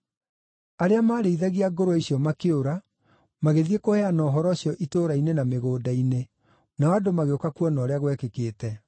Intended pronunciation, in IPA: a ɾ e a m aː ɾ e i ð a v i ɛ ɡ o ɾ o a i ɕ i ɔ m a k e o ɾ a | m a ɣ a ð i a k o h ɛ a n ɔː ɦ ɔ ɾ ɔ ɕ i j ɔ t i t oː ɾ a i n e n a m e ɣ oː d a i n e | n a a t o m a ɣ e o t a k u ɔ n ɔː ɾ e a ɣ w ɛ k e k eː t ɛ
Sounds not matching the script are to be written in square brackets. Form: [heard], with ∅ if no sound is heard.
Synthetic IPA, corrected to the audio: a ɾ e a m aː ɾ e i ð a [ɣ] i [a] ɡ o ɾ o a i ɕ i ɔ m a k e o ɾ a | m a ɣ [e] ð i [e] k o h ɛ a n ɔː ɦ ɔ ɾ ɔ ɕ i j ɔ [ʔ] i t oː ɾ a i n e n a m e ɣ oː d a i n e | n a a [d] o m a ɣ e o [k] a k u ɔ n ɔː ɾ e a ɣ w ɛ k e k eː t ɛ